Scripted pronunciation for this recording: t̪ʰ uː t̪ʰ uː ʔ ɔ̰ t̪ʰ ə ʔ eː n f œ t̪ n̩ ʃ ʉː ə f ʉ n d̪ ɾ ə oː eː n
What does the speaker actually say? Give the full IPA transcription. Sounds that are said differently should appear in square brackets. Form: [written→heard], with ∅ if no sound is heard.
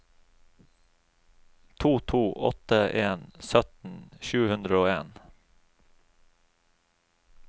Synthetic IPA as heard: t̪ʰ uː t̪ʰ uː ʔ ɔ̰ [t̪ʰ→t̪] ə ʔ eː n [f→s] œ t̪ n̩ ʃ ʉː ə [f→h] ʉ n d̪ ɾ ə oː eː n